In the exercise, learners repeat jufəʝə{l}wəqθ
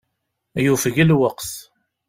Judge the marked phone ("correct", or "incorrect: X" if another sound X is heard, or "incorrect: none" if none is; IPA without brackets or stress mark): correct